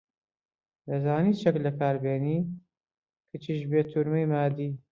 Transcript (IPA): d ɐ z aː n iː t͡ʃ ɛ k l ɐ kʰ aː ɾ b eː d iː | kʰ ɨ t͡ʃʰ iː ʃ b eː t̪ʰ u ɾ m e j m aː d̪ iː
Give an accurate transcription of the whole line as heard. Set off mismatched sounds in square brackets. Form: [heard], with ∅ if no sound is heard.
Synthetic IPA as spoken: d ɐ z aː n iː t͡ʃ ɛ k l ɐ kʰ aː ɾ b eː [n] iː | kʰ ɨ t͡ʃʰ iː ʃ b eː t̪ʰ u ɾ m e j m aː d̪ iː